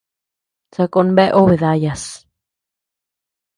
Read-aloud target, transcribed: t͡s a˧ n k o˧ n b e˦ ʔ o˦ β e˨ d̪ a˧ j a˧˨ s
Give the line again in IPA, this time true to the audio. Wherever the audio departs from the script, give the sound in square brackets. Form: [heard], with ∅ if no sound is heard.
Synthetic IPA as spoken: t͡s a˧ [∅] k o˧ n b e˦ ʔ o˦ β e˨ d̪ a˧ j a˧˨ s